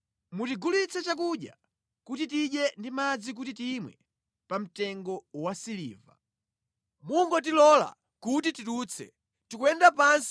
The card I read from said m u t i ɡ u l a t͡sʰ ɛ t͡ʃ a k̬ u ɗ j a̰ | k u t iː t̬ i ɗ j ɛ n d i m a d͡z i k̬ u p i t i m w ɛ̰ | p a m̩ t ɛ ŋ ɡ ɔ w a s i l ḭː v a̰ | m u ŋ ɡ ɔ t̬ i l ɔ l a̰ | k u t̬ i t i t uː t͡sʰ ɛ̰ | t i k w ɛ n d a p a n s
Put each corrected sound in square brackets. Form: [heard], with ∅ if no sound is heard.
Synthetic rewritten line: m u t i ɡ u l [i] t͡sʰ ɛ t͡ʃ a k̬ u ɗ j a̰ | k u t [i] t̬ i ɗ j ɛ n d i m a d͡z i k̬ u [t] i t i m w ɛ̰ | p a m̩ t ɛ ŋ ɡ ɔ w a s i l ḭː v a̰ | m u ŋ ɡ ɔ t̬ i l ɔ l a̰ | k u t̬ i t i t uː t͡sʰ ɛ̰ | t i k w ɛ n d a p a n s